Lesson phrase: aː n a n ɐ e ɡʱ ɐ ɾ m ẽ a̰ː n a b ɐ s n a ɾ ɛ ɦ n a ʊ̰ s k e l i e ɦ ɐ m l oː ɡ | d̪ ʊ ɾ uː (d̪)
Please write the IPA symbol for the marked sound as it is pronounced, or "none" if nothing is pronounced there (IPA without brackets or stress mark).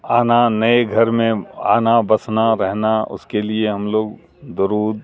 d̪